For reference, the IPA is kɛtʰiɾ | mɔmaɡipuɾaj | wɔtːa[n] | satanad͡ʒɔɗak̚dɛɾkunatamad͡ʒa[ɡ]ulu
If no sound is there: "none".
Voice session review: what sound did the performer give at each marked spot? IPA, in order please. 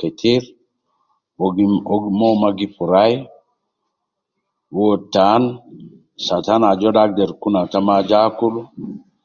n, k

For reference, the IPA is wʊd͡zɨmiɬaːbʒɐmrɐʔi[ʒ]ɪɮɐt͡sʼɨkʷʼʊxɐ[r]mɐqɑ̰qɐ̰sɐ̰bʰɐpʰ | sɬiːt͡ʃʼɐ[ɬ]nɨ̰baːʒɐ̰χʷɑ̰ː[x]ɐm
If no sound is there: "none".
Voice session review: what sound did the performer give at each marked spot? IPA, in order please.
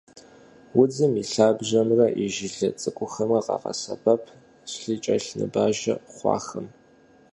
ʒ, none, ɬ, x

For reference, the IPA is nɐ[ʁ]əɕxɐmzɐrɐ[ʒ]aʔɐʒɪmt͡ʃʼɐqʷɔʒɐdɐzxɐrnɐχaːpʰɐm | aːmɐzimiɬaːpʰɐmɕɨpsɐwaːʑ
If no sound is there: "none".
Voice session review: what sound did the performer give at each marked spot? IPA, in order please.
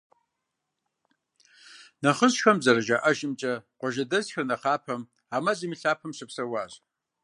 χ, ʒ

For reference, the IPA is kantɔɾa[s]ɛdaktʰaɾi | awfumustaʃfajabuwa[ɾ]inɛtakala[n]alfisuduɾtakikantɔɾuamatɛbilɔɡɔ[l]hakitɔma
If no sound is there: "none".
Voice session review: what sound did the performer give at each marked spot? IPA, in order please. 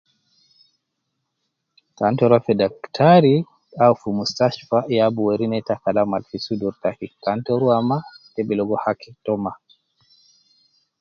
f, ɾ, m, none

